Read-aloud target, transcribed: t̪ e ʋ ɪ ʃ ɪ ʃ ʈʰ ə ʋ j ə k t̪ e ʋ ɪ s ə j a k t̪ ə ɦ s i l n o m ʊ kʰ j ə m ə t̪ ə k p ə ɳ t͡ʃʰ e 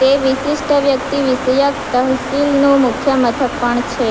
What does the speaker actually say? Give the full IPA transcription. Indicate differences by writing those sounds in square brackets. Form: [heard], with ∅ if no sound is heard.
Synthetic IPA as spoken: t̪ e ʋ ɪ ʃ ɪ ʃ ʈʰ ə ʋ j ə k t̪ [i] ʋ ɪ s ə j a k t̪ ə ɦ s i l n o m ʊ kʰ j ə m ə [t̪ʰ] ə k p ə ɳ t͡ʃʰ e